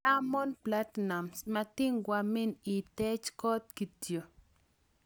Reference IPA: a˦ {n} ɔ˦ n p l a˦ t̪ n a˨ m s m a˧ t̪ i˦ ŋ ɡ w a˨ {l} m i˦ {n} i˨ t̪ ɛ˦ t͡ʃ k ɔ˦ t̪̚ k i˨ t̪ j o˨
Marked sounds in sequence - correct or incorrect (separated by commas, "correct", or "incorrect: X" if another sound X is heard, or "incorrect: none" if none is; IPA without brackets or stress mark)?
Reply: incorrect: m, incorrect: none, correct